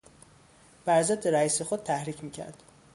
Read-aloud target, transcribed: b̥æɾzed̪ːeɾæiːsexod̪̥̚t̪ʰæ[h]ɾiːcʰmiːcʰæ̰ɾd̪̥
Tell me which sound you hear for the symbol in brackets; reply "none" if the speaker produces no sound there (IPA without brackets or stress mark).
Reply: h